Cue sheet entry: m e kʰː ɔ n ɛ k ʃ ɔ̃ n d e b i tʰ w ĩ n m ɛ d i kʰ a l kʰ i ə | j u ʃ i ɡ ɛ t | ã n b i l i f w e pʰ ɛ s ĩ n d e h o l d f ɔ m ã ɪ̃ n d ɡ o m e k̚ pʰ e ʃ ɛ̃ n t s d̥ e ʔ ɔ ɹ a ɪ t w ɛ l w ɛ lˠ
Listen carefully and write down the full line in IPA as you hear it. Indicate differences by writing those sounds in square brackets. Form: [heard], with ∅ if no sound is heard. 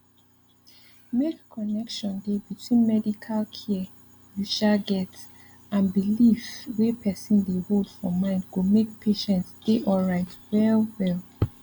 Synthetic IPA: m e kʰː ɔ n ɛ k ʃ ɔ̃ n d e b i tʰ w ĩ n m ɛ d i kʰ a l kʰ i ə | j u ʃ [a] ɡ ɛ t | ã n b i l i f w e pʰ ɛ s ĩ n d e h o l d f ɔ m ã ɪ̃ n d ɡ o m e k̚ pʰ e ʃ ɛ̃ n t s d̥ e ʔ ɔ ɹ a ɪ t w ɛ l w ɛ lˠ